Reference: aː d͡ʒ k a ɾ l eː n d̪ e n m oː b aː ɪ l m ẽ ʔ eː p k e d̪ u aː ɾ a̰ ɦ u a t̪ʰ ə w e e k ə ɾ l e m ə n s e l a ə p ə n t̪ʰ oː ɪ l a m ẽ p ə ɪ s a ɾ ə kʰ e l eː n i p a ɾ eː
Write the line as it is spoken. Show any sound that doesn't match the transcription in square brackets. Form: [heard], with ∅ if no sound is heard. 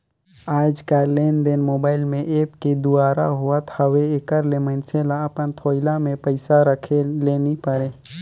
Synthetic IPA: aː d͡ʒ k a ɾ l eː n d̪ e n m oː b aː ɪ l m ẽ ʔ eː p k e d̪ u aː ɾ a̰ ɦ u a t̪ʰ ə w e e k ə ɾ l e m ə n s e l a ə p ə n t̪ʰ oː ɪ l a m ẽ p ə ɪ s a ɾ ə kʰ e l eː n i p [ə] ɾ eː